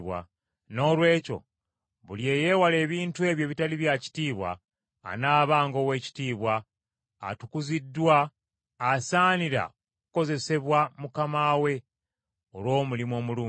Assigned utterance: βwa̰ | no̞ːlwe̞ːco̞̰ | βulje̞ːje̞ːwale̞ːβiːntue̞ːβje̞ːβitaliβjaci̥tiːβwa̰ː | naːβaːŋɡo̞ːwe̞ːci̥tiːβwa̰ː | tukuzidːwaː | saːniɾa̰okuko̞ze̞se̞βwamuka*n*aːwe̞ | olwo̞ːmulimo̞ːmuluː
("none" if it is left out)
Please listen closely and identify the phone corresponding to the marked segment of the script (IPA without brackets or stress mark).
m